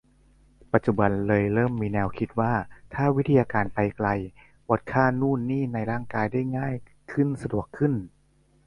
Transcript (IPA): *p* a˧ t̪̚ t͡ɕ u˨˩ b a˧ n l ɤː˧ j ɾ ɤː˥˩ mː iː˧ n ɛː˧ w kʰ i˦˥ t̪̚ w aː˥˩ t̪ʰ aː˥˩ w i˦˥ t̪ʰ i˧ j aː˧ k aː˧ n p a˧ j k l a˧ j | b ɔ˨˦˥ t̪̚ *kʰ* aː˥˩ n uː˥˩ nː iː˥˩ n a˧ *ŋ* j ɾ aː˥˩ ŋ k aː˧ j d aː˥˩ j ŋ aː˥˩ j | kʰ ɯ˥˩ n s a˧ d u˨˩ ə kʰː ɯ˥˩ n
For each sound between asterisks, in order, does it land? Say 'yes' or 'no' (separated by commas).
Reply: yes, yes, no